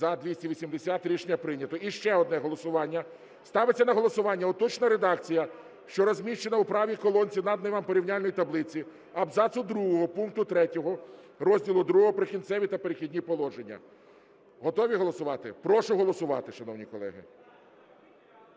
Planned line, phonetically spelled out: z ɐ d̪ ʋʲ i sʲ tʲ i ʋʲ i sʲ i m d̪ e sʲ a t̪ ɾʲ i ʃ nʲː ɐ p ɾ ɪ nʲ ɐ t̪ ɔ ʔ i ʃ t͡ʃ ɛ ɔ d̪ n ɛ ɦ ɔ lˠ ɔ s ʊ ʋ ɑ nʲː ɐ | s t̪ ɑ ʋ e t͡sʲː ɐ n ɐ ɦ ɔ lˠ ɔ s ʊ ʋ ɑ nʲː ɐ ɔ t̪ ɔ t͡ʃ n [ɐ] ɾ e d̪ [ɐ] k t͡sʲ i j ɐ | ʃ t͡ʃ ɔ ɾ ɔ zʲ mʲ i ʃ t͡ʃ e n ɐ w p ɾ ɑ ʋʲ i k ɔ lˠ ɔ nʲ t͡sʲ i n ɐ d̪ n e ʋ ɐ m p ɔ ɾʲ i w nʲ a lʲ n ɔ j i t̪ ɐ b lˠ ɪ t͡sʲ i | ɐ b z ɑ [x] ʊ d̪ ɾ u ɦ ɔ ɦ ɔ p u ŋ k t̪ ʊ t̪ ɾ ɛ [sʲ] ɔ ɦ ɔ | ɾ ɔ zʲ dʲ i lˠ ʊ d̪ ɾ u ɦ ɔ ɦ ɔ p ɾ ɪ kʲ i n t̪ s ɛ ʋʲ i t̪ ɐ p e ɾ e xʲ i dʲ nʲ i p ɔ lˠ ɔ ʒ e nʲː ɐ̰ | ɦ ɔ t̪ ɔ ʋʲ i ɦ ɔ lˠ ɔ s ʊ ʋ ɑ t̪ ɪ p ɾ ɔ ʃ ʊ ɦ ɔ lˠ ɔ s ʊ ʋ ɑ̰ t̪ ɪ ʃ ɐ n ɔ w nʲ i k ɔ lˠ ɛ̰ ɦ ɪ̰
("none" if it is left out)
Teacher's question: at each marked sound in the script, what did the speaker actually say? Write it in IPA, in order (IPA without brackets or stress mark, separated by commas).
ɐ, ɑ, s, tʲ